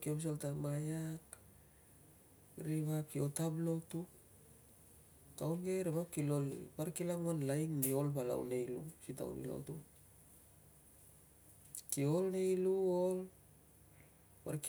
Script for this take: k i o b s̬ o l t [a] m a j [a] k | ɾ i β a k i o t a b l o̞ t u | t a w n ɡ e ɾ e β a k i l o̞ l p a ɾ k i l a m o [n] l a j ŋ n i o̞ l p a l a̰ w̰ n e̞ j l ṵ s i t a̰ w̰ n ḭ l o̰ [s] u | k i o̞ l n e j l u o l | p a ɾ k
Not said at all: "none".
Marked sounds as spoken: a, a, n, t

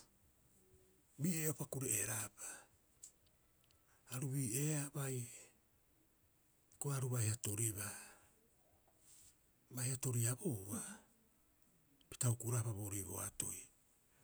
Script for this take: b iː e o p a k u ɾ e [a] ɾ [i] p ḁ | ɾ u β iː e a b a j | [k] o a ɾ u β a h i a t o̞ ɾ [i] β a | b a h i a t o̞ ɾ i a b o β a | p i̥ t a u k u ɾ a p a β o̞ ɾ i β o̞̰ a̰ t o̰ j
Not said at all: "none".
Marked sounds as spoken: e, a, k, i

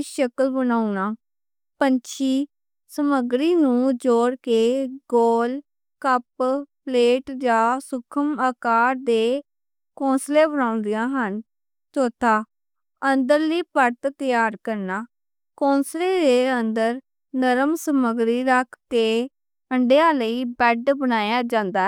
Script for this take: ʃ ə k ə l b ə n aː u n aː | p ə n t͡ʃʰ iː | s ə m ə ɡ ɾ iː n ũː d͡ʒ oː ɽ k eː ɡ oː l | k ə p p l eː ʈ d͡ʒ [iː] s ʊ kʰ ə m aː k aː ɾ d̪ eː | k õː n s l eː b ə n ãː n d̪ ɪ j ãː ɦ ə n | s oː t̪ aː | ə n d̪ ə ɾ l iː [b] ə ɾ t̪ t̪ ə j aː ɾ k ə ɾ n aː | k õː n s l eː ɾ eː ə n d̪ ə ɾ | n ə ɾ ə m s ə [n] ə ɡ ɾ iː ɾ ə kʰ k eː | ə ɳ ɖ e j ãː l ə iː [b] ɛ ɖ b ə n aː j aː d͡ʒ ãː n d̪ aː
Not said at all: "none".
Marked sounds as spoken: aː, p, m, b

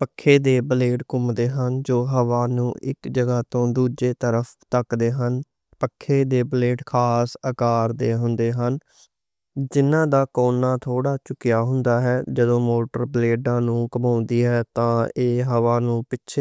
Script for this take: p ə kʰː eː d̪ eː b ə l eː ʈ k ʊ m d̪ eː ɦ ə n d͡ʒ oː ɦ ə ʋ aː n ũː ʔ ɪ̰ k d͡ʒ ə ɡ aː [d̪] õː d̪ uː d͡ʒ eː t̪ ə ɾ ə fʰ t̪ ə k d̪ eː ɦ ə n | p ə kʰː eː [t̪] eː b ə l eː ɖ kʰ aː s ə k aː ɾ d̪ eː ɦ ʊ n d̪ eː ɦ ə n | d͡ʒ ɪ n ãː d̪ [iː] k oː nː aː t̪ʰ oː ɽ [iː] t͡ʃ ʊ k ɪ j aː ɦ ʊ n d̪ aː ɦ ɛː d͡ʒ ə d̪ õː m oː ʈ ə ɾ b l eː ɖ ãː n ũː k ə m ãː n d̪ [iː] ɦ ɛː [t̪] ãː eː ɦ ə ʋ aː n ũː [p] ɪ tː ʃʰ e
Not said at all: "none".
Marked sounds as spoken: t̪, d̪, aː, aː, iː, t̪, p

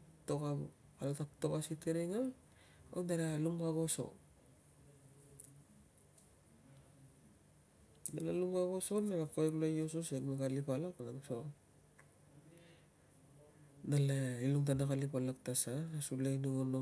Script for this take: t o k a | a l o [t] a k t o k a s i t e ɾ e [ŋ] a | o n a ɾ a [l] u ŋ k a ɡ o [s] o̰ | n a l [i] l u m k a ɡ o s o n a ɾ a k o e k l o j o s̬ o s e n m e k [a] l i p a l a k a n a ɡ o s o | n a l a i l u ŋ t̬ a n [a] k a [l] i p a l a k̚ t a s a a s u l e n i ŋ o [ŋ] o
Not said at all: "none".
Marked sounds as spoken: t, ŋ, l, s, a, a, a, l, n

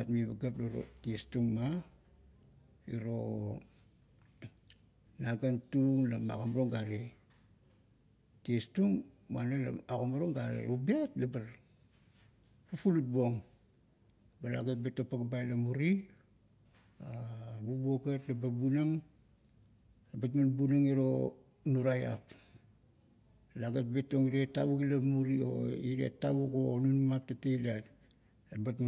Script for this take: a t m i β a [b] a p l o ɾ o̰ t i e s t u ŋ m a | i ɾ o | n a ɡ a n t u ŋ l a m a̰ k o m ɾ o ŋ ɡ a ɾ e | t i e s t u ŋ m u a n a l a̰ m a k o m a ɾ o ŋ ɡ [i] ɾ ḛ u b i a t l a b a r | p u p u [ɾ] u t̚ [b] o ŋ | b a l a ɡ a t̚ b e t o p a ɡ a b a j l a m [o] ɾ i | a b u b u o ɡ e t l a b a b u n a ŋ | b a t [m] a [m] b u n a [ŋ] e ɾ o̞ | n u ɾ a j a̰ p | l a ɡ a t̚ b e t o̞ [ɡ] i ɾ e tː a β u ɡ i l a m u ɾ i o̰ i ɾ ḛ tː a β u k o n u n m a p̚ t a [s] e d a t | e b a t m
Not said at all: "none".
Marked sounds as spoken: ɡ, a, l, b, u, m, n, ŋ, ŋ, t

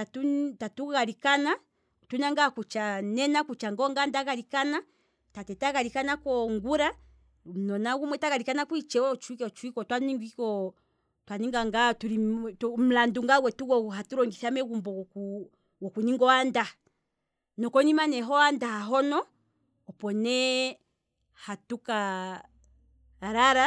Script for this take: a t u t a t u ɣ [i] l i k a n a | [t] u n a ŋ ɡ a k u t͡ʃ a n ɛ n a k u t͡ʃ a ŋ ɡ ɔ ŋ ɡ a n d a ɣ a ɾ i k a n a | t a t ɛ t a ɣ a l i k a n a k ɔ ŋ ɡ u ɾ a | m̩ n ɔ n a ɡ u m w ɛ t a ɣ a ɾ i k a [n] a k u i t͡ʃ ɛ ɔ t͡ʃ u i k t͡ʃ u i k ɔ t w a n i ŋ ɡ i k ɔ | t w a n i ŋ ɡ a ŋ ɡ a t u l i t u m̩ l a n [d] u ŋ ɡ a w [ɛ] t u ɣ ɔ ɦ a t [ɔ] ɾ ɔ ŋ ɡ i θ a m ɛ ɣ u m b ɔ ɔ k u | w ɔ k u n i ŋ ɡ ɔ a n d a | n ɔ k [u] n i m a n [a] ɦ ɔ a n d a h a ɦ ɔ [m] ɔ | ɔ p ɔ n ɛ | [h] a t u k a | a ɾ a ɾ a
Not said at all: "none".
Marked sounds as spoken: a, t, n, d, ɛ, u, ɔ, ɛ, n, h

